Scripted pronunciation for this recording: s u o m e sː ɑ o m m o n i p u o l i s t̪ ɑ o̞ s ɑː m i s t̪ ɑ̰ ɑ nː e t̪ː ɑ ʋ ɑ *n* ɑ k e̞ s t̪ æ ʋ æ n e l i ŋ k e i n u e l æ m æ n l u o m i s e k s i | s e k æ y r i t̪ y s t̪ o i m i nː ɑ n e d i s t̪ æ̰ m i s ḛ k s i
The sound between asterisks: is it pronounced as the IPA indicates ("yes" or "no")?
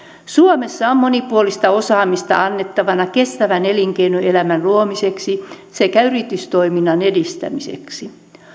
yes